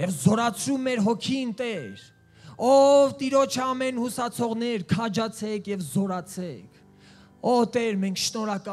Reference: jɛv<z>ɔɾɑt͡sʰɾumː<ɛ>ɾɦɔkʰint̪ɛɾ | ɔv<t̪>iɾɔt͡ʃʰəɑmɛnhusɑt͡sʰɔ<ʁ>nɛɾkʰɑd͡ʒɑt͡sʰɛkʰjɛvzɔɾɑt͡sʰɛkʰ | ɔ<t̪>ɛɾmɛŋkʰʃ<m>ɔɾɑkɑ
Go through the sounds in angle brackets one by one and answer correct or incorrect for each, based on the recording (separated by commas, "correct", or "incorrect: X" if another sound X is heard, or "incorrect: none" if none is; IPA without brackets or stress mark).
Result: correct, correct, correct, correct, correct, incorrect: n